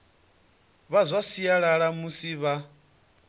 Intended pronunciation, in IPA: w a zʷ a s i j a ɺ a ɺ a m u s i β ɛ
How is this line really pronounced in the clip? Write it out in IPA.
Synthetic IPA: β a zʷ a s i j a ɺ a ɺ a m u s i β a